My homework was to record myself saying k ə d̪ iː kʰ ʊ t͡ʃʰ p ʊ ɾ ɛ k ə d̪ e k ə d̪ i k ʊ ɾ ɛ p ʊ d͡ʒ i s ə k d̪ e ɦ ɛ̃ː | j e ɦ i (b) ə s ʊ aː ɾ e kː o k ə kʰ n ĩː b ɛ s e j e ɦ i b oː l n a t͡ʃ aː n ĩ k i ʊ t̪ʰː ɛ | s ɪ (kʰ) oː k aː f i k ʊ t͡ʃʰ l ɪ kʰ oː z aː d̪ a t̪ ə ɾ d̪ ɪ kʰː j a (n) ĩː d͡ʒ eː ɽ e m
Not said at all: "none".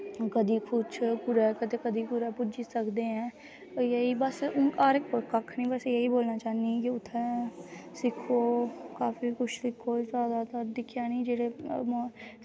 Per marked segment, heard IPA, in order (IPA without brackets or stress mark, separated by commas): b, kʰ, n